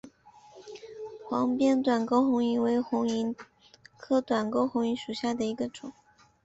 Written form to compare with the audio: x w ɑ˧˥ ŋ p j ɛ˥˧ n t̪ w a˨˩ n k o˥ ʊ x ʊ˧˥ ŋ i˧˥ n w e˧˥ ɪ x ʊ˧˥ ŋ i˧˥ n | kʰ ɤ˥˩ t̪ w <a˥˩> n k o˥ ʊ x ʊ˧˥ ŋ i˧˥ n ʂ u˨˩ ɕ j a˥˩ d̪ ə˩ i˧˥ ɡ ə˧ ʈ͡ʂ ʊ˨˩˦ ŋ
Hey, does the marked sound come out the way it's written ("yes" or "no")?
no